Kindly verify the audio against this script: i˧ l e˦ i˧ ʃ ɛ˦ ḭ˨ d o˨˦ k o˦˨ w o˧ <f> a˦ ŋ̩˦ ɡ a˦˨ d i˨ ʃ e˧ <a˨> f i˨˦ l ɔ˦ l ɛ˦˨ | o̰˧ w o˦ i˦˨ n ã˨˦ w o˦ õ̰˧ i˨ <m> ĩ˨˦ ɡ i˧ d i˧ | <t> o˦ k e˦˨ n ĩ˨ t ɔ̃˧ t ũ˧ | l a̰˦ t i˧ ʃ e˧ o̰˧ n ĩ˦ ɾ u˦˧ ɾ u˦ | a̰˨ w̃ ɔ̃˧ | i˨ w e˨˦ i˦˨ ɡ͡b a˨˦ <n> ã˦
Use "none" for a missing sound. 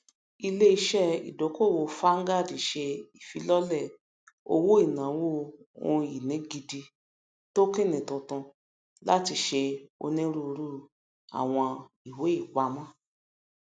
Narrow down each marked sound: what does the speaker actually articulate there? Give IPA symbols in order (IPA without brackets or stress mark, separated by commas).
f, i˨, n, t, m